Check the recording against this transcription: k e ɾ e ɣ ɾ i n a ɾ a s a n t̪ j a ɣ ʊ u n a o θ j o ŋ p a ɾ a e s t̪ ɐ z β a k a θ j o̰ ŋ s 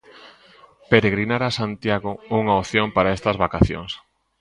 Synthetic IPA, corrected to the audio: p e ɾ e ɣ ɾ i n a ɾ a s a n t̪ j a ɣ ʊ u ŋ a o θ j o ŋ p a ɾ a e s t̪ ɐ z β a k a θ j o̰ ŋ s

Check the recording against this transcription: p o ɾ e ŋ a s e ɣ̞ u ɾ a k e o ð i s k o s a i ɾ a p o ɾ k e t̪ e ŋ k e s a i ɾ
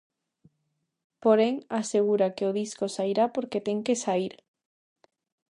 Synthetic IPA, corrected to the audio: p o ɾ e ŋ a s e ɣ̞ u ɾ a k e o ð i s k o s a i ɾ a p o ɾ k e t̪ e ŋ k e s a i ɾ

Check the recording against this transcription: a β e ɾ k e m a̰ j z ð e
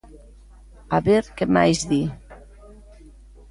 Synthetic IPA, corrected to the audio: a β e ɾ k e m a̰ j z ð i

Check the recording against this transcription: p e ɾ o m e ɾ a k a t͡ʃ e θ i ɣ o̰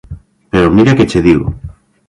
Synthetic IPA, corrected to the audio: p e ɾ o m i ɾ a k e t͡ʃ e ð i ɣ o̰

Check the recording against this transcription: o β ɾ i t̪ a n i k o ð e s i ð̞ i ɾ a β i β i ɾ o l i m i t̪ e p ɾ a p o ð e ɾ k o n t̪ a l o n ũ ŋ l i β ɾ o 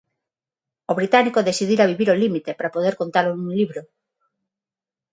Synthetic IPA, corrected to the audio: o β ɾ i t̪ a n i k o ð e s i ð̞ i ɾ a β i β i ɾ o l i m i t̪ e p ɾ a p o ð e ɾ k o n t̪ a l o n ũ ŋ l i β ɾ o

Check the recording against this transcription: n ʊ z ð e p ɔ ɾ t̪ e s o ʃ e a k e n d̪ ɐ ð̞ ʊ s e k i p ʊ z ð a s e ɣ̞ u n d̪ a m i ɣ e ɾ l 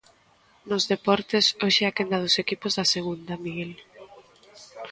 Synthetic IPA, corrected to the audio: n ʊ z ð e p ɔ ɾ t̪ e s o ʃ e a k e n d̪ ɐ ð̞ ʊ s e k i p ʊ z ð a s e ɣ̞ u n d̪ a m i ɣ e l

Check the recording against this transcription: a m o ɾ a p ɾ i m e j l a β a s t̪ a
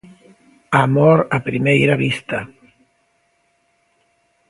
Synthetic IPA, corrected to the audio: a m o ɾ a p ɾ i m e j ɾ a β i s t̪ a

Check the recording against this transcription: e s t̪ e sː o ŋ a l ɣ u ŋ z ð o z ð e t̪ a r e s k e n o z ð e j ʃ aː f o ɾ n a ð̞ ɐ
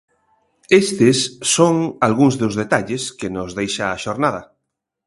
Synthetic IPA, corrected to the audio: e s t̪ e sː o ŋ a l ɣ u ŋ z ð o z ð e t̪ a ʎ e s k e n o z ð e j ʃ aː ʃ o ɾ n a ð̞ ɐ

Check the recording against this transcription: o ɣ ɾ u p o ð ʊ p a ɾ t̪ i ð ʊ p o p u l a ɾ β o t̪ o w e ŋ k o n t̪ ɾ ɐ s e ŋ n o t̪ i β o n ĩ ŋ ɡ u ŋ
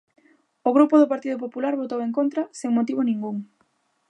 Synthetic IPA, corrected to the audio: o ɣ ɾ u p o ð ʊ p a ɾ t̪ i ð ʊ p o p u l a ɾ β o t̪ o w e ŋ k o n t̪ ɾ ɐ s e ŋ m o t̪ i β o n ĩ ŋ ɡ u ŋ

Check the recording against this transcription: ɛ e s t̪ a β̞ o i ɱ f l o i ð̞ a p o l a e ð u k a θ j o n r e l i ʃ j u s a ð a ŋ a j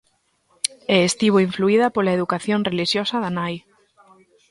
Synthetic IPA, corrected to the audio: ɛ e s t̪ i β̞ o i ɱ f l u i ð̞ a p o l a e ð u k a θ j o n r e l i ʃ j o s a ð a n a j

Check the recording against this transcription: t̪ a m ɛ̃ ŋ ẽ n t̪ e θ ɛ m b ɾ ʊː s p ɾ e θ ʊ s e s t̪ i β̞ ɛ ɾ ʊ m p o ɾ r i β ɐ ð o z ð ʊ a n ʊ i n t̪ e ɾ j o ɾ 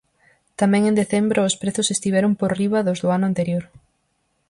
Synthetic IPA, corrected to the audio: t̪ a m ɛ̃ ŋ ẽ n d̪ e θ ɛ m b ɾ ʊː s p ɾ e θ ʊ s e s t̪ i β̞ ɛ ɾ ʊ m p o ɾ r i β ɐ ð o z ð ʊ a n ʊ a n t̪ e ɾ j o ɾ

